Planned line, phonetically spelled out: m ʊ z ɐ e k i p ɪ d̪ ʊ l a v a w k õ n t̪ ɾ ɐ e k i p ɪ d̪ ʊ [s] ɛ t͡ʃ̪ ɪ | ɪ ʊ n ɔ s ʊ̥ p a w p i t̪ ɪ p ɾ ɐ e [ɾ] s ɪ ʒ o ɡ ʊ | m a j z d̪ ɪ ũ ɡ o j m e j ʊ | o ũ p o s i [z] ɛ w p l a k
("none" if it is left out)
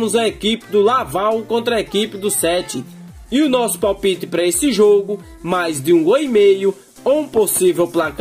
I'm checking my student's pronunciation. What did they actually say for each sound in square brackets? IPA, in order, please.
s, none, v

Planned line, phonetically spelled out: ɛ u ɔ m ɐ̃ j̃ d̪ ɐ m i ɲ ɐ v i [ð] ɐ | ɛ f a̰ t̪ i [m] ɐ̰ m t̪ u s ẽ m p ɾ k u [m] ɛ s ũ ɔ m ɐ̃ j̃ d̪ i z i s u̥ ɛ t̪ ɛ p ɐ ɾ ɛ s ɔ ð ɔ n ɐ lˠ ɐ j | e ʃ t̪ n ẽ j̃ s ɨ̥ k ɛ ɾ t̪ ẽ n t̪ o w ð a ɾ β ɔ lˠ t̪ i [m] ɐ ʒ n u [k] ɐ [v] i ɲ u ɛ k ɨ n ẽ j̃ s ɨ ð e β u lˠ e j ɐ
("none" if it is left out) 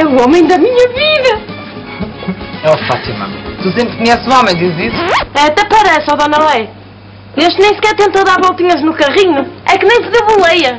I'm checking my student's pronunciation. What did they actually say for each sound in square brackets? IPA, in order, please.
ð, m, ɲ, ɲ, k, ʁ

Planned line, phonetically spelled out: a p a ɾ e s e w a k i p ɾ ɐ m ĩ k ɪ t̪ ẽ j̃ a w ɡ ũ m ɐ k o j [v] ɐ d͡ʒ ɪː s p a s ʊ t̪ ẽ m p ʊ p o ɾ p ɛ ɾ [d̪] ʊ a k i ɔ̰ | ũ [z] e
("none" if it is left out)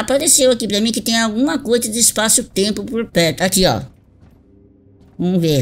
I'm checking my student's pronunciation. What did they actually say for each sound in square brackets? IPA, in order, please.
z, t̪, v

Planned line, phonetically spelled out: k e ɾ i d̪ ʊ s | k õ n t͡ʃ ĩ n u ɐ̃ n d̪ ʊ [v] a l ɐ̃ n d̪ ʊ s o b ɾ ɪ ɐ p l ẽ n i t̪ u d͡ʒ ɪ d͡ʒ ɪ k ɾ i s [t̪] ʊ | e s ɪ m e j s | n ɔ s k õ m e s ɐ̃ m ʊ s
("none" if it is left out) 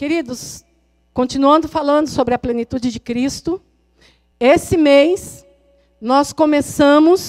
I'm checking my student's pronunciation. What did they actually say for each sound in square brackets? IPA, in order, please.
f, t̪

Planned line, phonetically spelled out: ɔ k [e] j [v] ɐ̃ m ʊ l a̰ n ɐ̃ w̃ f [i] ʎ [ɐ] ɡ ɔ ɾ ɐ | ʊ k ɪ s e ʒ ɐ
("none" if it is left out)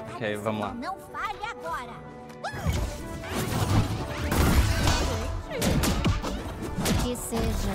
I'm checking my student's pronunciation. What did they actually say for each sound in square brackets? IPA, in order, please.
e, v, a, a

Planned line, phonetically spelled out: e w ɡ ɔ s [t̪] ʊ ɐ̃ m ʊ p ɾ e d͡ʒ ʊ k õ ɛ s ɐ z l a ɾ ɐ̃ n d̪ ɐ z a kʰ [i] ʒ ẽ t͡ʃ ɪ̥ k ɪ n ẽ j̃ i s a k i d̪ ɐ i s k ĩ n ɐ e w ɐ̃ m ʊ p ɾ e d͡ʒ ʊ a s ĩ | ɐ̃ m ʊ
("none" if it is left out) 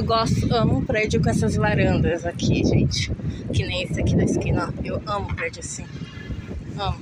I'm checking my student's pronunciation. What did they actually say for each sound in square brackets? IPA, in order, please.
t̪, i

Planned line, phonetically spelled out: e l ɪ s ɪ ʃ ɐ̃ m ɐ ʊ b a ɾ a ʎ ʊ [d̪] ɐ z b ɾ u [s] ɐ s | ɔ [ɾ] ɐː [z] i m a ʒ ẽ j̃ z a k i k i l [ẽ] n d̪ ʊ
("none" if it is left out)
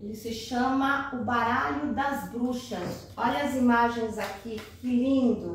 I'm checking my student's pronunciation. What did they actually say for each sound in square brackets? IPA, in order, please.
d̪, ʃ, ʎ, z, ĩ

